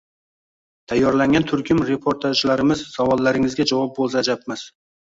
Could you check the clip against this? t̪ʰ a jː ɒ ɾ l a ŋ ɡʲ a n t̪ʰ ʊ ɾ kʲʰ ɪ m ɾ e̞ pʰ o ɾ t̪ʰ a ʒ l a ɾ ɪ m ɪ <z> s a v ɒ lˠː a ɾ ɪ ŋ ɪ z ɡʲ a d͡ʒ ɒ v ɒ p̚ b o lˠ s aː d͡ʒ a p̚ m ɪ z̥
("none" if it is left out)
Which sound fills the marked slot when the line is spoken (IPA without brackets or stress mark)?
z